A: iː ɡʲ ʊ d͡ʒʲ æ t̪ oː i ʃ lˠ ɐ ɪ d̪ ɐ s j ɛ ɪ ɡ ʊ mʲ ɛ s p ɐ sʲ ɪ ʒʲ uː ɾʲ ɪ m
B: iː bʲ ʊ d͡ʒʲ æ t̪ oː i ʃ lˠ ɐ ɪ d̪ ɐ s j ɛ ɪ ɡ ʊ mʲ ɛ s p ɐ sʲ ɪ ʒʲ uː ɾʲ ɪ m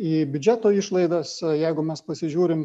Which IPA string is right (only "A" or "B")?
B